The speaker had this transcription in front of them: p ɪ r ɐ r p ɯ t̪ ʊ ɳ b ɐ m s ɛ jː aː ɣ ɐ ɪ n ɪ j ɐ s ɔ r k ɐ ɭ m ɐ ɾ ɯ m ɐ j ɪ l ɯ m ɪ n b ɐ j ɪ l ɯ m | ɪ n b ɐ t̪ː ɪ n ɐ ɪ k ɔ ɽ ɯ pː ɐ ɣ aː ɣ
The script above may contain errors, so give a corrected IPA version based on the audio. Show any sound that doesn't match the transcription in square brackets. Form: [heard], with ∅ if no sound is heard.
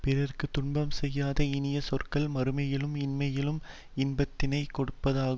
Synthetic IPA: p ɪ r ɐ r [k] ɯ t̪ ʊ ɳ b ɐ m s ɛ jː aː [ð] ɐ ɪ n ɪ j ɐ s ɔ r k ɐ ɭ m ɐ ɾ ɯ m ɐ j ɪ l ɯ m ɪ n [m] ɐ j ɪ l ɯ m | ɪ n b ɐ t̪ː ɪ n ɐ ɪ k ɔ ɽ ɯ pː ɐ [ð] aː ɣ

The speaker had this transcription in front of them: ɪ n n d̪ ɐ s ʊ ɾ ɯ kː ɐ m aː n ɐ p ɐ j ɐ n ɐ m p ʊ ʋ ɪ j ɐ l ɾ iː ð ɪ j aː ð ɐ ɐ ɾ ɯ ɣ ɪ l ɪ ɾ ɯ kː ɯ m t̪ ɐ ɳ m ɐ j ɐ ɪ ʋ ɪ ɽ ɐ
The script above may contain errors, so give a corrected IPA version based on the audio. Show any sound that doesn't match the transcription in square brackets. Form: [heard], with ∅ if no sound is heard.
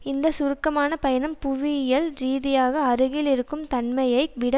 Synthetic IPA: ɪ n n d̪ ɐ s ʊ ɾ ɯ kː ɐ m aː n ɐ p ɐ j ɐ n ɐ m p ʊ ʋ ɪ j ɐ l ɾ iː ð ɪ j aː [ɣ] ɐ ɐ ɾ ɯ ɣ ɪ l ɪ ɾ ɯ kː ɯ m t̪ ɐ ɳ m ɐ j ɐ ɪ ʋ ɪ ɽ ɐ

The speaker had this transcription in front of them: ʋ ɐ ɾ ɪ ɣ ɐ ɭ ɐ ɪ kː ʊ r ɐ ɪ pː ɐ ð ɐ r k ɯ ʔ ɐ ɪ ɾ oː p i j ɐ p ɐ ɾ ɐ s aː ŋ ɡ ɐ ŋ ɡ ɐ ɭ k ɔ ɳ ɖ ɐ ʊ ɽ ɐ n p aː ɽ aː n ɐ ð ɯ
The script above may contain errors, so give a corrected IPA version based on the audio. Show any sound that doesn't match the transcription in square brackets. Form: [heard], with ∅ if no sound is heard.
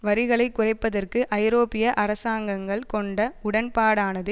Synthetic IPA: ʋ ɐ ɾ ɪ ɣ ɐ ɭ ɐ ɪ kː ʊ r ɐ ɪ pː ɐ ð ɐ r k ɯ ʔ ɐ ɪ ɾ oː p [ɪ] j ɐ [ʔ] ɐ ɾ ɐ s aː ŋ ɡ ɐ ŋ ɡ ɐ ɭ k ɔ ɳ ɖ ɐ ʊ ɽ ɐ n p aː ɽ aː n ɐ ð ɯ

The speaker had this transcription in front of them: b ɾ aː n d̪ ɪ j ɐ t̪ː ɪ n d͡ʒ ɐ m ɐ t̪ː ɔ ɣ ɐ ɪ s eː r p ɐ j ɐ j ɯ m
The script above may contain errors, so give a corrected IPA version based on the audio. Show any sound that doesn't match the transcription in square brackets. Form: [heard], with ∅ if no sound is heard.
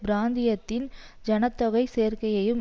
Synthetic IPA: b ɾ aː n d̪ ɪ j ɐ t̪ː ɪ n d͡ʒ ɐ [n] ɐ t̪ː ɔ ɣ ɐ ɪ s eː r [k] ɐ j ɐ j ɯ m

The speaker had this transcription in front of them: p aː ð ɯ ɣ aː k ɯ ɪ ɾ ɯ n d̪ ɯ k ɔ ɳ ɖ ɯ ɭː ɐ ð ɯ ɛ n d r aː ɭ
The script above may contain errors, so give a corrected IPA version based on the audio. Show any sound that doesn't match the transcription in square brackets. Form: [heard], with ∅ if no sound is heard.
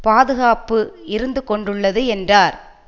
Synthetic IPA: p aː ð ɯ ɣ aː [p] ɯ ɪ ɾ ɯ n d̪ ɯ k ɔ ɳ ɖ ɯ ɭː ɐ ð ɯ ɛ n d r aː [ɾ]

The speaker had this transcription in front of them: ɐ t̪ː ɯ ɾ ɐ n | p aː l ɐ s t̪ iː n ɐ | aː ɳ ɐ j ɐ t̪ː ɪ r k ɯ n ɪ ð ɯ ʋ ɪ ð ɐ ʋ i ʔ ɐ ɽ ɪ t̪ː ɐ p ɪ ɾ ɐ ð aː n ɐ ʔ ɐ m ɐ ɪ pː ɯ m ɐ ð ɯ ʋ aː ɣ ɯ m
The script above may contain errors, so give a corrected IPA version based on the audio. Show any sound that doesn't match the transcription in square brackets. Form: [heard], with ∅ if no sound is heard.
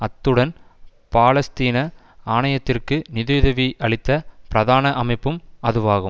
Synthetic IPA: ɐ t̪ː ɯ [ɽ] ɐ n | p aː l ɐ s t̪ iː n ɐ | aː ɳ ɐ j ɐ t̪ː ɪ r k ɯ n ɪ ð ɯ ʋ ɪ ð ɐ ʋ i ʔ ɐ [ɭ] ɪ t̪ː ɐ p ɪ ɾ ɐ ð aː n ɐ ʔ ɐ m ɐ ɪ pː ɯ m ɐ ð ɯ ʋ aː ɣ ɯ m

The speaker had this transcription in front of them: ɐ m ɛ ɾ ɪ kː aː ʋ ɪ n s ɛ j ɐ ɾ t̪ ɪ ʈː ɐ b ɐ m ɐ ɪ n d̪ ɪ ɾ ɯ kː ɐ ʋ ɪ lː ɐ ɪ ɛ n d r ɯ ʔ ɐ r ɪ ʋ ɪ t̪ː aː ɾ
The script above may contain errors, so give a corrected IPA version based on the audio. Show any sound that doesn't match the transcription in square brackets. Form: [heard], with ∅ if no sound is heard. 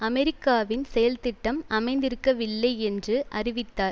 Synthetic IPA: ɐ m ɛ ɾ ɪ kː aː ʋ ɪ n s ɛ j ɐ [l] t̪ ɪ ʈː ɐ [m] ɐ m ɐ ɪ n d̪ ɪ ɾ ɯ kː ɐ ʋ ɪ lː ɐ ɪ ɛ n d r ɯ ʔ ɐ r ɪ ʋ ɪ t̪ː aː ɾ

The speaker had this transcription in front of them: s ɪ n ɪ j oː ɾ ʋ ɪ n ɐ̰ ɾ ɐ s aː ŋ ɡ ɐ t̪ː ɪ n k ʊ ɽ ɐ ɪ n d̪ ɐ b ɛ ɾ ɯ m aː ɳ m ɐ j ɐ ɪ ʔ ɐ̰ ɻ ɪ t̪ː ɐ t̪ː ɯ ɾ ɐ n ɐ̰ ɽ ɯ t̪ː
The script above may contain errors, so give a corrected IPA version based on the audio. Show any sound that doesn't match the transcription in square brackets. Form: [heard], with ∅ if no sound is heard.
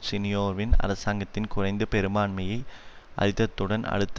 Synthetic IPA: s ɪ n ɪ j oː ɾ ʋ ɪ n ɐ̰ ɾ ɐ s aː ŋ ɡ ɐ t̪ː ɪ n k ʊ [r] ɐ ɪ n d̪ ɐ [p] ɛ ɾ ɯ m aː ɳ m ɐ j ɐ ɪ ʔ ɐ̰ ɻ ɪ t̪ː ɐ t̪ː ɯ [ɽ] ɐ n ɐ̰ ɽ ɯ t̪ː

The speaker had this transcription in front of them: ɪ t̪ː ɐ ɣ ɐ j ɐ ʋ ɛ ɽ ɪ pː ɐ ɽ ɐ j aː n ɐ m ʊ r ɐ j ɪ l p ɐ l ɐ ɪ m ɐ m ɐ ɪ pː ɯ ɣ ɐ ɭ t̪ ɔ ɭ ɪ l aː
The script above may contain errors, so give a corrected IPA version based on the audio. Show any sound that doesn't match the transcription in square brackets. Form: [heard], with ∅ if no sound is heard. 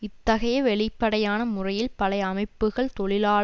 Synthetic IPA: ɪ t̪ː ɐ ɣ ɐ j ɐ ʋ ɛ [ɭ] ɪ pː ɐ ɽ ɐ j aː n ɐ m ʊ r ɐ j ɪ l p ɐ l ɐ ɪ [∅] ɐ m ɐ ɪ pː ɯ ɣ ɐ ɭ t̪ ɔ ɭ ɪ l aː

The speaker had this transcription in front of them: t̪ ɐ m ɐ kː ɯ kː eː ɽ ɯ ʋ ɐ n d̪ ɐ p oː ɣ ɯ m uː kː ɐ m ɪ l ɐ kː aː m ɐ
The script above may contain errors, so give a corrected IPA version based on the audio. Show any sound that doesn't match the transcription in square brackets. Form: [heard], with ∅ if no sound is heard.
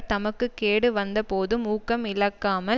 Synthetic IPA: t̪ ɐ m ɐ kː ɯ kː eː ɽ ɯ ʋ ɐ n d̪ ɐ p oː [ð] ɯ m uː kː ɐ m ɪ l ɐ kː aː m ɐ

